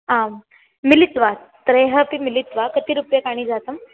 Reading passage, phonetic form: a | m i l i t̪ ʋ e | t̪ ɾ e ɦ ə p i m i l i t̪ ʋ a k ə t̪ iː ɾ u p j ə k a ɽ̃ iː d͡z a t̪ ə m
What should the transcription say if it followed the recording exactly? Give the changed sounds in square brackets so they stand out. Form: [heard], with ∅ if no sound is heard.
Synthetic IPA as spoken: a | m i l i t̪ ʋ [a] | t̪ ɾ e ɦ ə p i m i l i t̪ ʋ a k ə t̪ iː ɾ u p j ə k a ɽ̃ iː d͡z a t̪ ə m